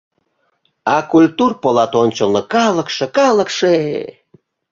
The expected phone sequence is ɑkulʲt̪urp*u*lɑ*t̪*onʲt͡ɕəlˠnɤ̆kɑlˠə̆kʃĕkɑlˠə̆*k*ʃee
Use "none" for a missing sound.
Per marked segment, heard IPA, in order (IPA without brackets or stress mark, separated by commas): o, t̪, k